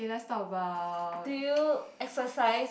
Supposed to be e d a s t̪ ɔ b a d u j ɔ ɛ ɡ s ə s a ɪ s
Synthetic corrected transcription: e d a s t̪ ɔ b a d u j u ɛ k s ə s a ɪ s